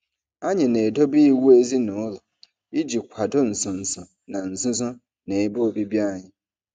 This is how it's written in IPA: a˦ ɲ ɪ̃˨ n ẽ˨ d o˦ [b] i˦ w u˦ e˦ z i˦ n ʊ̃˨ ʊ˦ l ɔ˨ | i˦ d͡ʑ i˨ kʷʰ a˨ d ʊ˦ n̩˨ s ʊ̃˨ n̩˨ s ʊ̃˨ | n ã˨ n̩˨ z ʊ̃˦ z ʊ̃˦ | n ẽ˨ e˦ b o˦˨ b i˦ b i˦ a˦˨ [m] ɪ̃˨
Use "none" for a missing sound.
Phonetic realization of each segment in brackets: b, ɲ

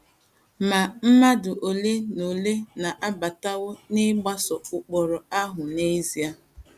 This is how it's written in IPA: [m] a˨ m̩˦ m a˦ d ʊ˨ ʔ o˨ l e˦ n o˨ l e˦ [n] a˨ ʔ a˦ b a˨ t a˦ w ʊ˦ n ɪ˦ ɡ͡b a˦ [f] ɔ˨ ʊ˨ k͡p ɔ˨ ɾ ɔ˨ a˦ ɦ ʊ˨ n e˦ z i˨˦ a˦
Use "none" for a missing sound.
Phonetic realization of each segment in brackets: m, n, s

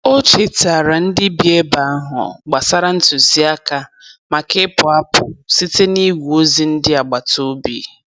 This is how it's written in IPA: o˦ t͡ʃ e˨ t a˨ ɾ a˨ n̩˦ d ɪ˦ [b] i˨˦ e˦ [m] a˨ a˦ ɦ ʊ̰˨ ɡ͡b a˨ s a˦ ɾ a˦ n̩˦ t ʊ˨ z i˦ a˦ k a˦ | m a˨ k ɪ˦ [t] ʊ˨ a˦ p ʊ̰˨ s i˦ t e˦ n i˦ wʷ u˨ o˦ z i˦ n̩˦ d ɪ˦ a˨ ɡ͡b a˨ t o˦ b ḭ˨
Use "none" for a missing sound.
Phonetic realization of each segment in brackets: b, b, p

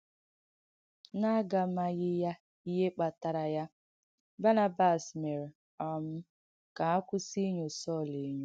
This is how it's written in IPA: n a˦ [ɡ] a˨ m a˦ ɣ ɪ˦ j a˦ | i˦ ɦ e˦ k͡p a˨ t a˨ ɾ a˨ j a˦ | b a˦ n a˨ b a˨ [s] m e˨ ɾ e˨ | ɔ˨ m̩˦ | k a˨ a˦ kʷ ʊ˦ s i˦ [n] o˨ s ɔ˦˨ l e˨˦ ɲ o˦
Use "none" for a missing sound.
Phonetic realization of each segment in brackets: ɡ, s, ɲ

